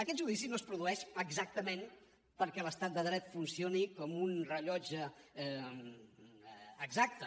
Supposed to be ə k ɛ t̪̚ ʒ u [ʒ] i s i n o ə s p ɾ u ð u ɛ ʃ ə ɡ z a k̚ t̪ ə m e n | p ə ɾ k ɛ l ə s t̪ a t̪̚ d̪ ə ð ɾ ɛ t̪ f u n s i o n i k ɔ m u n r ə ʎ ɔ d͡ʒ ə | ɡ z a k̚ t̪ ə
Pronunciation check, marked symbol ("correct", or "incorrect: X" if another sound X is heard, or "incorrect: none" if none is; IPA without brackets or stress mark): incorrect: ð